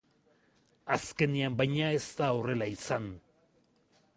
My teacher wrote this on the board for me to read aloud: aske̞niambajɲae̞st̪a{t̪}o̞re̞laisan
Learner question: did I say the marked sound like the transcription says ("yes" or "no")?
no